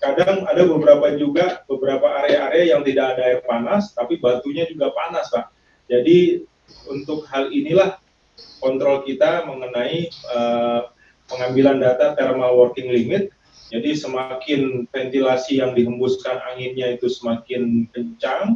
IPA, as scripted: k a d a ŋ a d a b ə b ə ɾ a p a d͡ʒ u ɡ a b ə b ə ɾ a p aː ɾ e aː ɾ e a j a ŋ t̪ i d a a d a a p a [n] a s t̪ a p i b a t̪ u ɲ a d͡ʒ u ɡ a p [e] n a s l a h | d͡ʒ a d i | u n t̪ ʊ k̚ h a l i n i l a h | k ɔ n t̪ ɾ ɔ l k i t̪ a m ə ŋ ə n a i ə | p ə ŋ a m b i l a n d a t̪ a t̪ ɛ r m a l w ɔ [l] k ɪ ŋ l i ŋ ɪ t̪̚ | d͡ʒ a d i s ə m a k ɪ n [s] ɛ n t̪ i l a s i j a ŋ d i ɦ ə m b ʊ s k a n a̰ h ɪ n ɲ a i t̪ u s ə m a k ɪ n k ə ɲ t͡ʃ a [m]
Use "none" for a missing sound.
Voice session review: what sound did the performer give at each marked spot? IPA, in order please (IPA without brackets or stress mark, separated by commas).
n, a, r, f, ŋ